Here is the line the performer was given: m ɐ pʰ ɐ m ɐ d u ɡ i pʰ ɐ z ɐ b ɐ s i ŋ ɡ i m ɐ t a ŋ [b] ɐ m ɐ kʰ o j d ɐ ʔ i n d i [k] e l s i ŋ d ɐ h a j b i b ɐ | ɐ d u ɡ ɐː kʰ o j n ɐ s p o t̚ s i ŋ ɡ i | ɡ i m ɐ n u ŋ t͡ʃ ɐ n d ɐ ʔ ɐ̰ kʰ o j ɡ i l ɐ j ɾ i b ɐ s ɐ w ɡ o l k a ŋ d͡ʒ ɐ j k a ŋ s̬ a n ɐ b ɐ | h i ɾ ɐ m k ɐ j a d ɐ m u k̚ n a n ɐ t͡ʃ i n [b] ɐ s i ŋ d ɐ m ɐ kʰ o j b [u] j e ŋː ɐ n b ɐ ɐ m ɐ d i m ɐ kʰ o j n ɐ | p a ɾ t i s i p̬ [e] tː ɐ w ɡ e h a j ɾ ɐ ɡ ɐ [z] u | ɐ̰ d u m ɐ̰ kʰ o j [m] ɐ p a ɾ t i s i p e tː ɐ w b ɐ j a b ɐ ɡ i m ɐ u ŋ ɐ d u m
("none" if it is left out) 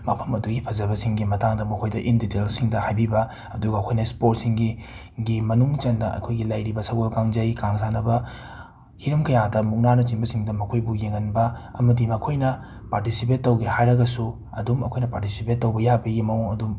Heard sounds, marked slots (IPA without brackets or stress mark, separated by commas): d, t, b, u, e, s, n